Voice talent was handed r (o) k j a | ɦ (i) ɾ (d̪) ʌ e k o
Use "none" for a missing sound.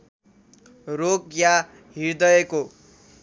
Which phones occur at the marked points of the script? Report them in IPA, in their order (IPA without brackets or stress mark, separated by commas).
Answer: o, i, d̪